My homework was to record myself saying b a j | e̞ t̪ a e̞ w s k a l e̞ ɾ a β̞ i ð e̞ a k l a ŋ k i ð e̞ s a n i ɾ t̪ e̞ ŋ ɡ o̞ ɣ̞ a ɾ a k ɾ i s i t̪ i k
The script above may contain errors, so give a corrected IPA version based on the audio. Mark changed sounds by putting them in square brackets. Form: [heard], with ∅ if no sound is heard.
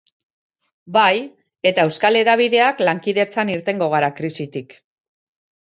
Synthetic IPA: b a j | e̞ t̪ a e̞ w s k a l e̞ ɾ a β̞ i ð e̞ a k l a ŋ k i ð e̞ [t͡s] a n i ɾ t̪ e̞ ŋ ɡ o̞ ɣ̞ a ɾ a k ɾ i s i t̪ i k

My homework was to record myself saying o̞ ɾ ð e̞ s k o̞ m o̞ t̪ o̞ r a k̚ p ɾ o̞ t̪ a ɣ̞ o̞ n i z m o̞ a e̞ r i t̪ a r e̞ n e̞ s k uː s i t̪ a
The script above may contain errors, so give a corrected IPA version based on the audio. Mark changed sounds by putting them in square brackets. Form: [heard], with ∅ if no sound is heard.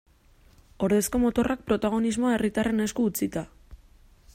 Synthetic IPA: o̞ ɾ ð e̞ s k o̞ m o̞ t̪ o̞ r a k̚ p ɾ o̞ t̪ a ɣ̞ o̞ n i z m o̞ a e̞ r i t̪ a r e̞ n e̞ s k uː [t͡s] i t̪ a

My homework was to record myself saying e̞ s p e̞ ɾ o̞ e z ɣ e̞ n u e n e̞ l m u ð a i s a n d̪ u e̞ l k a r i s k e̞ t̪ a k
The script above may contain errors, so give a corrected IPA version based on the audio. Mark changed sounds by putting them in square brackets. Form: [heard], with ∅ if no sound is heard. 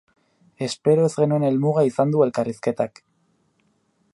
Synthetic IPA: e̞ s p e̞ ɾ o̞ e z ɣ e̞ n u e n e̞ l m u [ɣ] a i s a n d̪ u e̞ l k a r i s k e̞ t̪ a k

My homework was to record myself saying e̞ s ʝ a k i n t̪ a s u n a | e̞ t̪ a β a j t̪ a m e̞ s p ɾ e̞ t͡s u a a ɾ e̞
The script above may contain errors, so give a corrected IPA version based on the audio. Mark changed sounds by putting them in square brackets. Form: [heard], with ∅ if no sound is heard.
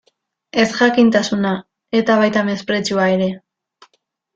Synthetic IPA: e̞ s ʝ a k i n t̪ a s u n a | e̞ t̪ a β a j t̪ a m e̞ s p ɾ e̞ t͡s u a [e] ɾ e̞

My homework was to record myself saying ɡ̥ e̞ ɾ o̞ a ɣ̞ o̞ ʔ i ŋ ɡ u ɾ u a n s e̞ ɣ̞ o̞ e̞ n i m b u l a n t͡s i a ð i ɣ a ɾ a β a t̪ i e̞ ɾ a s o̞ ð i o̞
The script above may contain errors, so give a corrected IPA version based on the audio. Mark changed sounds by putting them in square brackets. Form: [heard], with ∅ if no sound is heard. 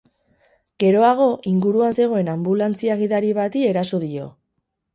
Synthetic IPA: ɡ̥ e̞ ɾ o̞ a ɣ̞ o̞ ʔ i ŋ ɡ u ɾ u a n s e̞ ɣ̞ o̞ e̞ n [a] m b u l a n t͡s i a [ɣ] i [ð] a ɾ [i] β a t̪ i e̞ ɾ a s o̞ ð i o̞

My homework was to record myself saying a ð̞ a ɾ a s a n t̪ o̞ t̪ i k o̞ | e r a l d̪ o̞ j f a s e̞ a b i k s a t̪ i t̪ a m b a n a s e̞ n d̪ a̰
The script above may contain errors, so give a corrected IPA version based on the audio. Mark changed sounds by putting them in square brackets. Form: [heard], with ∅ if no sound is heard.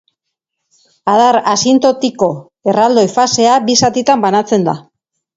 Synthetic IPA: a ð̞ a ɾ a s [i] n t̪ o̞ t̪ i k o̞ | e r a l d̪ o̞ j f a s e̞ a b i [∅] s a t̪ i t̪ a m b a n a [t͡s] e̞ n d̪ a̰

